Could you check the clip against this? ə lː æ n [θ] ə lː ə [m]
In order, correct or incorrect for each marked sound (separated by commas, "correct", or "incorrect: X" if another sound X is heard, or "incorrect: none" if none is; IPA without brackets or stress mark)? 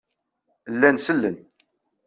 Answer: incorrect: s, incorrect: n